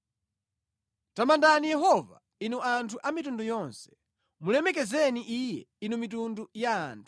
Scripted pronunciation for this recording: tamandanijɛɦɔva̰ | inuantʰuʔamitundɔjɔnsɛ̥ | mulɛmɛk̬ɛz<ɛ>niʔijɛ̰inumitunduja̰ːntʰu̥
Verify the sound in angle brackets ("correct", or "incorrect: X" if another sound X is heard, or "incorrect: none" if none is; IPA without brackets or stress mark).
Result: correct